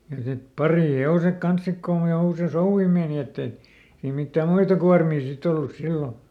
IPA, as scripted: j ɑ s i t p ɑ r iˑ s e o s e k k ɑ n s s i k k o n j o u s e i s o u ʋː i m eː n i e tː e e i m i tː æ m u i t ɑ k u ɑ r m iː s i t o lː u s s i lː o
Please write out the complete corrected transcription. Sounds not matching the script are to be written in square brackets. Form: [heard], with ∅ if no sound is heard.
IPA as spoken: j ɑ s i t p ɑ r iˑ [h] e o s e k k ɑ n s s i k k o n j o u s e i s o u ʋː i m eː n i e tː e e i m i tː æ m u i t ɑ k u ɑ r m iː s i t o lː u s s i lː o